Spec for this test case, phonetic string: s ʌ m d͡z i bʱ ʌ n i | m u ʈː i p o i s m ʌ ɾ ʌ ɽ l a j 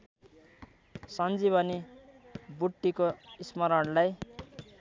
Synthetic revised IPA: s ʌ n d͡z i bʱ ʌ n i | b u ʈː i k o i s m ʌ ɾ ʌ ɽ l a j